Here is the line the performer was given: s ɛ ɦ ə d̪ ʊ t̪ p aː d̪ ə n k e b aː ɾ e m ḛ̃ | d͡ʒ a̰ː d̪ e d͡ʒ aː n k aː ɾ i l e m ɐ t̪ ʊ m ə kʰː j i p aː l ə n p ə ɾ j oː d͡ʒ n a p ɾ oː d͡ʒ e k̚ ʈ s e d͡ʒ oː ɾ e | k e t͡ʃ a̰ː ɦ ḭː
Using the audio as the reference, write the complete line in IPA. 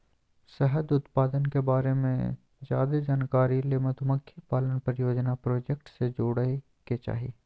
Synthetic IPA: s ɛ ɦ ə d̪ ʊ t̪ p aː d̪ ə n k e b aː ɾ e m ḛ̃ | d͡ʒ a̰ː d̪ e d͡ʒ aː n k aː ɾ i l e m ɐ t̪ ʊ m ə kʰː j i p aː l ə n p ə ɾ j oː d͡ʒ n a p ɾ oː d͡ʒ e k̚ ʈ s e d͡ʒ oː ɽ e | k e t͡ʃ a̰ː ɦ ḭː